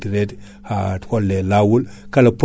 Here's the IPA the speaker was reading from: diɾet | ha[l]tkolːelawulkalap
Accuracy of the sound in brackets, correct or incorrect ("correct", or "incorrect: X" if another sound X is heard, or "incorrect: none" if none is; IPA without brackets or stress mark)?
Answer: incorrect: none